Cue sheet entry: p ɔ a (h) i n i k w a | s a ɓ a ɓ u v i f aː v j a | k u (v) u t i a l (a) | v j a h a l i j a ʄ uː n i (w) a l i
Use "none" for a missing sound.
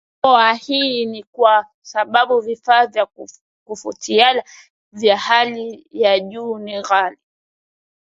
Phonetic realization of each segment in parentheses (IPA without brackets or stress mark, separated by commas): h, f, a, ɣ